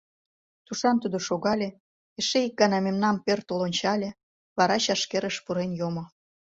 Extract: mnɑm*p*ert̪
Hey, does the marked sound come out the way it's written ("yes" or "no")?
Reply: yes